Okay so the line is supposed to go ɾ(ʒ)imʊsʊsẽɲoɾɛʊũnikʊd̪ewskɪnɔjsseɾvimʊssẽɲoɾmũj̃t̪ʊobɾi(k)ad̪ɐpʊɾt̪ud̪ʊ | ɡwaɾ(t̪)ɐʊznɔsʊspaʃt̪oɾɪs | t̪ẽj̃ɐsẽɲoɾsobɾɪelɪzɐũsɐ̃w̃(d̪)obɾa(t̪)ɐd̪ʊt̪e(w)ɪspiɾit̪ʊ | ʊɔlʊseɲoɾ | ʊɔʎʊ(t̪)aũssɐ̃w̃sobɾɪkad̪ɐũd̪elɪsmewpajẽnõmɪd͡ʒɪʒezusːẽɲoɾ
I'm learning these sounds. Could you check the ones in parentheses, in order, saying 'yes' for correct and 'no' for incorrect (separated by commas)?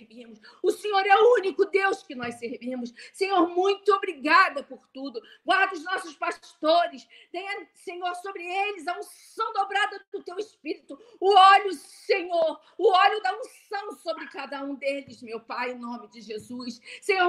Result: no, no, no, yes, no, yes, no